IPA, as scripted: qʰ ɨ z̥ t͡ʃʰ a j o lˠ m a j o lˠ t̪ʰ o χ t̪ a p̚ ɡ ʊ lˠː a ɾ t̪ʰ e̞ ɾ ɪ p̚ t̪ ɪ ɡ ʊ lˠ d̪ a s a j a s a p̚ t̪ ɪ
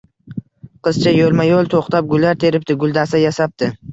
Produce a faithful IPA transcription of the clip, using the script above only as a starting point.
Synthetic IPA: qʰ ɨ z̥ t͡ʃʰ a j o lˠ m a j o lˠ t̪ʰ o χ t̪ a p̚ ɡ ʊ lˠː a ɾ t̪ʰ e̞ ɾ ɪ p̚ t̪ ɪ ɡ ʊ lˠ d̪ a s a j a s a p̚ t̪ ɪ